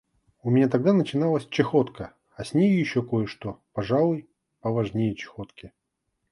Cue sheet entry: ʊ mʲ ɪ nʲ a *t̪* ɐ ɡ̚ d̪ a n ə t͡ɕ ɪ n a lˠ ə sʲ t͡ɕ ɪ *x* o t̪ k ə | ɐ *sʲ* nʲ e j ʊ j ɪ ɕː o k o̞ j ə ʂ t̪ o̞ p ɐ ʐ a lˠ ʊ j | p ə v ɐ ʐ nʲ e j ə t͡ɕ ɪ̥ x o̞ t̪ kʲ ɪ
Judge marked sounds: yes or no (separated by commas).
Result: yes, yes, yes